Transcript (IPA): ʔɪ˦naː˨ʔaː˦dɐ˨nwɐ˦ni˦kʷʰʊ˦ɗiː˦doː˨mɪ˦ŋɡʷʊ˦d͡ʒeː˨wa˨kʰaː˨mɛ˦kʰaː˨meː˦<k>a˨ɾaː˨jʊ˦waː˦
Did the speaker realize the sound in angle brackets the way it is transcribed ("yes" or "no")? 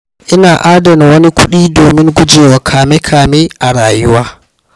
no